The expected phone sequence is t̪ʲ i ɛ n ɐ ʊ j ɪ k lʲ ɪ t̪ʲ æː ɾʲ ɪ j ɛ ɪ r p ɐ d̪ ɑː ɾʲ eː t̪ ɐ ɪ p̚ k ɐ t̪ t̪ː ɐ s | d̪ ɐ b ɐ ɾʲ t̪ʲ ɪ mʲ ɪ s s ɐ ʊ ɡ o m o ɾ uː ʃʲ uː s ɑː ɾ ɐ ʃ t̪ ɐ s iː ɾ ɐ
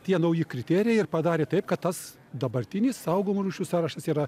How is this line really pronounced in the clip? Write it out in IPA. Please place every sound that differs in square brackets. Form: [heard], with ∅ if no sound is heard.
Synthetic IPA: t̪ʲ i ɛ n ɐ ʊ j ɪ k [ɾʲ] ɪ t̪ʲ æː ɾʲ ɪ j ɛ ɪ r p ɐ d̪ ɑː ɾʲ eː t̪ ɐ ɪ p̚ k ɐ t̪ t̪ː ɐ s | d̪ ɐ b ɐ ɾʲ t̪ʲ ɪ [nʲ] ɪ s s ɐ ʊ ɡ o m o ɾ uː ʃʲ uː s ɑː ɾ ɐ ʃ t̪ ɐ s iː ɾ ɐ